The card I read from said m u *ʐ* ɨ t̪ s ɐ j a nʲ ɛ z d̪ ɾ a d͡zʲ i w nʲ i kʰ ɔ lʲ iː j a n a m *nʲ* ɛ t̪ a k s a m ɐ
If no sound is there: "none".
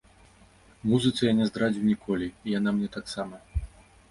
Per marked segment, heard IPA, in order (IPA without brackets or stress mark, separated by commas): z, nʲ